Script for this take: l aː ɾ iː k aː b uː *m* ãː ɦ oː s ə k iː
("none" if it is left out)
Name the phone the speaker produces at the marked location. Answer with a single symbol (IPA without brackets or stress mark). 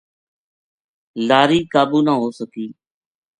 n